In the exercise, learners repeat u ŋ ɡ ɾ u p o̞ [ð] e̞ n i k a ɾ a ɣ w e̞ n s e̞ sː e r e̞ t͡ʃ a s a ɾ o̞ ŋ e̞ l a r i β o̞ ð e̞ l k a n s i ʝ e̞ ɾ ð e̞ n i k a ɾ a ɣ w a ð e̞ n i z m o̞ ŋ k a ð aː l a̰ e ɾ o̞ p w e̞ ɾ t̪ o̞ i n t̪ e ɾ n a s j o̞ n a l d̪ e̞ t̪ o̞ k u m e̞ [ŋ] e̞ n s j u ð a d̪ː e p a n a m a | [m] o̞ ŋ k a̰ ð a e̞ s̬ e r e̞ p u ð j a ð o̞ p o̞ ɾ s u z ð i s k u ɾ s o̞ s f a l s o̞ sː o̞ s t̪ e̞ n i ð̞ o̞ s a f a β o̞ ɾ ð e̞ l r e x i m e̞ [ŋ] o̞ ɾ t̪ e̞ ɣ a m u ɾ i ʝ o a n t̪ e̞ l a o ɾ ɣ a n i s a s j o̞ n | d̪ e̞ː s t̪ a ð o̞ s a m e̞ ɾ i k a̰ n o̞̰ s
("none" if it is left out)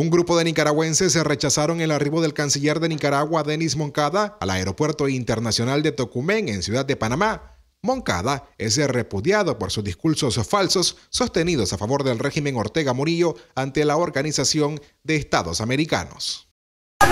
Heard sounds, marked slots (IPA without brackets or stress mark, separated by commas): ð, ŋ, m, ŋ